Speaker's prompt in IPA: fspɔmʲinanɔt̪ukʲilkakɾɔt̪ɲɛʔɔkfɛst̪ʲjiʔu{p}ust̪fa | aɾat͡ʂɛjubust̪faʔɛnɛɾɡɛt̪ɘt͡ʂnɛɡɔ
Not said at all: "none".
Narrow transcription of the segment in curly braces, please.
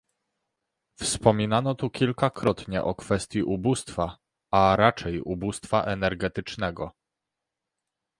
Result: b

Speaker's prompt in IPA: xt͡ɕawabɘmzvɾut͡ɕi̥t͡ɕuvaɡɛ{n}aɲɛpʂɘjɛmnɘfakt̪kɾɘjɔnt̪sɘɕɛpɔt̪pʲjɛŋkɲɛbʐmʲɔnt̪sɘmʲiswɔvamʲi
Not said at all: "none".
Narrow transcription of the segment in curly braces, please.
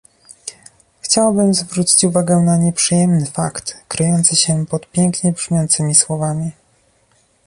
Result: n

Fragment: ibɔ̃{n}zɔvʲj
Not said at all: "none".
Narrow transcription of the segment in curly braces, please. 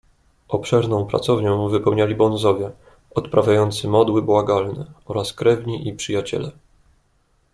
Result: n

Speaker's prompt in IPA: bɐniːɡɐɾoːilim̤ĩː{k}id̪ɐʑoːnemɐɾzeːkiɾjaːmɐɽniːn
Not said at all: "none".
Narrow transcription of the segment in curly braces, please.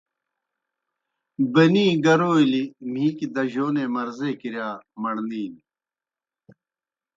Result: k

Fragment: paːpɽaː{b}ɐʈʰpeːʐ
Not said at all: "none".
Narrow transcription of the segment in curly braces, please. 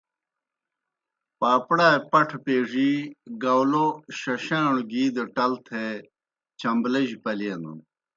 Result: p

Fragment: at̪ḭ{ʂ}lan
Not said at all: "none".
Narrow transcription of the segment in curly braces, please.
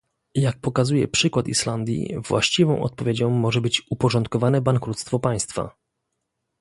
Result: ʂ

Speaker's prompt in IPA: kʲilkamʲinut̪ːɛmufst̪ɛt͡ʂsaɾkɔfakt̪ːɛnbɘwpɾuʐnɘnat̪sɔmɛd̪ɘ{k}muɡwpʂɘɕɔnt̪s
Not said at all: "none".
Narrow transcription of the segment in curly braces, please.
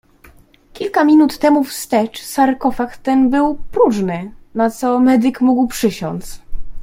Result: k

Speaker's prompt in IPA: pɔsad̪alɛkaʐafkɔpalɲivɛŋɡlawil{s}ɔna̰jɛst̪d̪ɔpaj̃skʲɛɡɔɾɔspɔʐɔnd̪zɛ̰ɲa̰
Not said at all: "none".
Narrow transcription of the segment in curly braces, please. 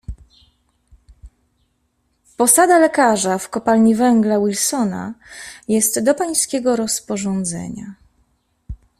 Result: s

